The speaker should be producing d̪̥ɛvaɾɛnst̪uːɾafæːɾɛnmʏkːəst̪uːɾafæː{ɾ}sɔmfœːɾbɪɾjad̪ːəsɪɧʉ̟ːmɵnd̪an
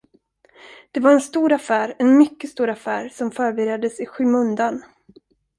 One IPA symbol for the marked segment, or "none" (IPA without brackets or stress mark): ɾ